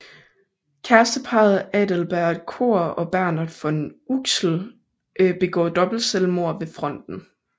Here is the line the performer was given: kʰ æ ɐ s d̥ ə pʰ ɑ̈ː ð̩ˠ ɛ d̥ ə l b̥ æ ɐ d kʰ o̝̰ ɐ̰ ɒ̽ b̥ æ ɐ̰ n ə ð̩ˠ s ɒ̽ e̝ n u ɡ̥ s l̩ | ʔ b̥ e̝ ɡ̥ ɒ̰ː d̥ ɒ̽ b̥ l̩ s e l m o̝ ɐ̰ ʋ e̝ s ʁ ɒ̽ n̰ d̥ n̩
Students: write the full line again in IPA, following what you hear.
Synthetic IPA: kʰ æ ɐ s d̥ ə pʰ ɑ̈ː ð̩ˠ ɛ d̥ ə l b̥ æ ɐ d kʰ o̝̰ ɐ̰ ɒ̽ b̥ æ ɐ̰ n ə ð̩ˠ f ɒ̽ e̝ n u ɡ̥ s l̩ | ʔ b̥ e̝ ɡ̥ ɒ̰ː d̥ ɒ̽ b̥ l̩ s e l m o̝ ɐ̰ ʋ e̝ f ʁ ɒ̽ n̰ d̥ n̩